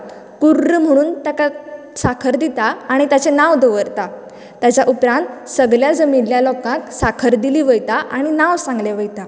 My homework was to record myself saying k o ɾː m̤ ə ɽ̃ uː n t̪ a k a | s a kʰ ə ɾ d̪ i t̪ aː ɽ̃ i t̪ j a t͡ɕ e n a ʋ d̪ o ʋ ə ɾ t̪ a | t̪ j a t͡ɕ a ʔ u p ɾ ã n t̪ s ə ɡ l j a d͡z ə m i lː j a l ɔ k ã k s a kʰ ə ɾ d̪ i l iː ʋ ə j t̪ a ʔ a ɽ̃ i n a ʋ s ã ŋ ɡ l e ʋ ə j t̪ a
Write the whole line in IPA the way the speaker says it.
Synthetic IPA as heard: k u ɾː m̤ ə ɽ̃ uː n t̪ a k a | s a kʰ ə ɾ d̪ i t̪ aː ɽ̃ i t̪ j a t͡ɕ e n a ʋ d̪ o ʋ ə ɾ t̪ a | t̪ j a t͡ɕ a ʔ u p ɾ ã n t̪ s ə ɡ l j a d͡z ə m i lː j a l ɔ k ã k s a kʰ ə ɾ d̪ i l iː ʋ ə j t̪ a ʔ a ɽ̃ i n a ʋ s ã ŋ ɡ l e ʋ ə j t̪ a

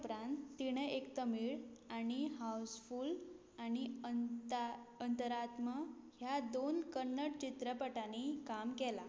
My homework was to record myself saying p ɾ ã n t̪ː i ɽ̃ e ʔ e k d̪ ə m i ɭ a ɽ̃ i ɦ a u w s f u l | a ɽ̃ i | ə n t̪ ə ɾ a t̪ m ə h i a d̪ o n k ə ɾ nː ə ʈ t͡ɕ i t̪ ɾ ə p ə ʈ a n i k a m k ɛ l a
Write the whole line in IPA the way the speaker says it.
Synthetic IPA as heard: p ɾ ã n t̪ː i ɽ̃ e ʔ e k t̪ ə m i ɭ a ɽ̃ i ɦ a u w s f u l | a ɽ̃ i | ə n t̪ ə ɾ a t̪ m ə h j a d̪ o n k ə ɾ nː ə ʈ t͡ɕ i t̪ ɾ ə p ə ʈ a n i k a m k ɛ l a

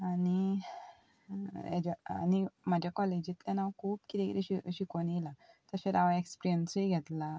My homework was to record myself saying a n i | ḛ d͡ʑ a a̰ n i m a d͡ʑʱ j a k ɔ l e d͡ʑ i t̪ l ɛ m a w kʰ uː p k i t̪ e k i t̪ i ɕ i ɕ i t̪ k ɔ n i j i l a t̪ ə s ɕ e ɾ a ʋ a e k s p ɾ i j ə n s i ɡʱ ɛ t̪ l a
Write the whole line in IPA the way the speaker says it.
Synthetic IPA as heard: a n i | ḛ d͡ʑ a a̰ n i m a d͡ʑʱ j a k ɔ l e d͡ʑ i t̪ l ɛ n a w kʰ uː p k i t̪ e k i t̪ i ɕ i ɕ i k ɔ n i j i l a t̪ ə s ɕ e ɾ a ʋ a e k s p ɾ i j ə n s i ɡʱ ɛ t̪ l a

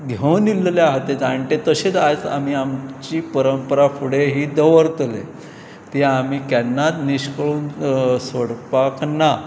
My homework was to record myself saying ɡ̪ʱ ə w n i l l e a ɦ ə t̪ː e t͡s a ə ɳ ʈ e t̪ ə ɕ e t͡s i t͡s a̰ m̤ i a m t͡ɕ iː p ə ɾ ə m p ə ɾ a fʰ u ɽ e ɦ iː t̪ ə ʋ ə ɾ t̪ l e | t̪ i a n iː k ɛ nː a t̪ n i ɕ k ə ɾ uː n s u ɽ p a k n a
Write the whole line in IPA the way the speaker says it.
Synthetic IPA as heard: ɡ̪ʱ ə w n i l l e a ɦ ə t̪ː e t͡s a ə ɳ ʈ e t̪ ə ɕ e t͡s a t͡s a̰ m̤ i a m t͡ɕ iː p ə ɾ ə m p ə ɾ a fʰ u ɽ e ɦ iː d̪ ə ʋ ə ɾ t̪ l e | t̪ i a m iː k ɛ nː a t̪ n i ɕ k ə ɭ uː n s o ɽ p a k n a

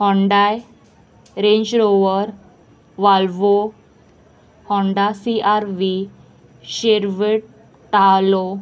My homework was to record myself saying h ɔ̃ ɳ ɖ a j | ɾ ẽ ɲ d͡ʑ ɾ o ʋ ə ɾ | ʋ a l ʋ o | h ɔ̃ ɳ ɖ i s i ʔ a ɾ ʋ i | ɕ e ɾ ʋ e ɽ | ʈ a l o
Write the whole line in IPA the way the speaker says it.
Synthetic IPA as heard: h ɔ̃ ɳ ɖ a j | ɾ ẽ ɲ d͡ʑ ɾ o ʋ ə ɾ | ʋ a l ʋ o | h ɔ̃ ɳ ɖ a s i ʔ a ɾ ʋ i | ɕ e ɾ ʋ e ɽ | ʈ a l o

